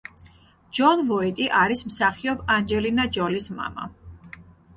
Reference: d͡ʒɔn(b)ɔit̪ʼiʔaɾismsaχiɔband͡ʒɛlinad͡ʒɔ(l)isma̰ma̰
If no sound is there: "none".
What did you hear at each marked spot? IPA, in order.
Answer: v, l

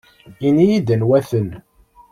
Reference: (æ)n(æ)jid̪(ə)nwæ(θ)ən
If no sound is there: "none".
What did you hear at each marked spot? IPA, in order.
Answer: i, i, ə, θ

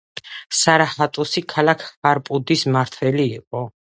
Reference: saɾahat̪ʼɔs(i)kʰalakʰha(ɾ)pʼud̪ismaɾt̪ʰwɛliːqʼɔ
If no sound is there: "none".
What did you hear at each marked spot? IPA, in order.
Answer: i, ɾ

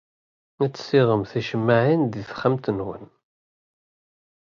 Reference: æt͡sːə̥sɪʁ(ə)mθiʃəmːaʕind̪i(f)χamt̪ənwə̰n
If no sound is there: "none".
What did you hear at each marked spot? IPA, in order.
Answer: ə, θ

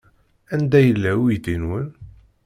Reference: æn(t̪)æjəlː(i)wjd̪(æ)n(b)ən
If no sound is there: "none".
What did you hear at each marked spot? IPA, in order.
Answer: d̪, æ, i, w

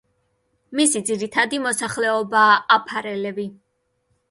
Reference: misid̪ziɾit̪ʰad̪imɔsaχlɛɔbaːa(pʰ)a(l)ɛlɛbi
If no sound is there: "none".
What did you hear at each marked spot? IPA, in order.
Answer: pʰ, ɾ

